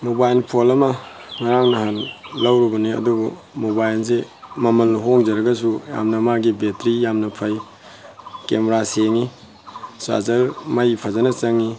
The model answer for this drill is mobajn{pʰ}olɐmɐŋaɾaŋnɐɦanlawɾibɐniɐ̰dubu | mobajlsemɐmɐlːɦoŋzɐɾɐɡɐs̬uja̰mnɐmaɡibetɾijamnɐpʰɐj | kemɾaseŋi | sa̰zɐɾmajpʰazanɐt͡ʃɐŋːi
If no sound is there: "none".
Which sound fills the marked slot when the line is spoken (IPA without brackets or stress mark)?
pʰ